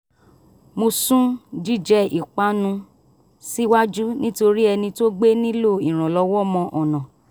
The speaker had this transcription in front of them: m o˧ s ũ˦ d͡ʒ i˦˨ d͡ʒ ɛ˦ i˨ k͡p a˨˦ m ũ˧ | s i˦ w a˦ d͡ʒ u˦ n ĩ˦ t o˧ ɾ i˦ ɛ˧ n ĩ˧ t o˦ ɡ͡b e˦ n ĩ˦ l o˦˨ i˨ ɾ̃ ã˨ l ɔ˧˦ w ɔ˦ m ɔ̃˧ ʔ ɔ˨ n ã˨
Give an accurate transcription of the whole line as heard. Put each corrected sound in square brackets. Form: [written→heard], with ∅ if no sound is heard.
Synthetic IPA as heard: m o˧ s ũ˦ d͡ʒ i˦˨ d͡ʒ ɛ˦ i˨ k͡p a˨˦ [m→n] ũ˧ | s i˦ w a˦ d͡ʒ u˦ n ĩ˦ t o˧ ɾ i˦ ɛ˧ n ĩ˧ t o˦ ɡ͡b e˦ n ĩ˦ l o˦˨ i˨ ɾ̃ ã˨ l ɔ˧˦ w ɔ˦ m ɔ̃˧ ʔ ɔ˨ n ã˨